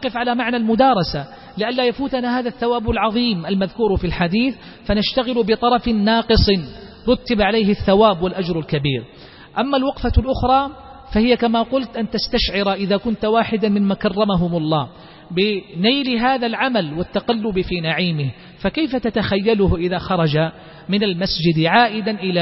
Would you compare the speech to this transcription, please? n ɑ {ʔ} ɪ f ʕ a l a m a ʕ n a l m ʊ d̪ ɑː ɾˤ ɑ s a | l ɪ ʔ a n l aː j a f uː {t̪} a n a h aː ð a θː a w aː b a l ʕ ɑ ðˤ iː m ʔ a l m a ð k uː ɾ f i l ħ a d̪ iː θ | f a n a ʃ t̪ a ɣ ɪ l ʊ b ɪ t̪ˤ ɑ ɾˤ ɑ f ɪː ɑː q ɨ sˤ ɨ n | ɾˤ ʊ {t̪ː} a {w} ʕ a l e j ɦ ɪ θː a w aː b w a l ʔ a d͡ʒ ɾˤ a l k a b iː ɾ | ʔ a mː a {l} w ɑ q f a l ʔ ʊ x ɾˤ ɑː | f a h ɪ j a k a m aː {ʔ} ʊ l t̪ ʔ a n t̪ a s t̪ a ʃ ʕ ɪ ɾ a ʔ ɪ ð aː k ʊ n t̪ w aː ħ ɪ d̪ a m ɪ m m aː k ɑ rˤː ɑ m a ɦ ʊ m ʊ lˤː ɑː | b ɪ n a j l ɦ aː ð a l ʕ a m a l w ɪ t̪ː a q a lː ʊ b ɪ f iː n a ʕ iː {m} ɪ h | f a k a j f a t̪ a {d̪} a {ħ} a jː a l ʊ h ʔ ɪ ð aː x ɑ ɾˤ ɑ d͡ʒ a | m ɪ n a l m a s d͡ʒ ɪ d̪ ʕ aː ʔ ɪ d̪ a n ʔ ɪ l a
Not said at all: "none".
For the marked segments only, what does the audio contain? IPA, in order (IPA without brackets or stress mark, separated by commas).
q, t̪, t̪ː, b, l, q, m, t̪, x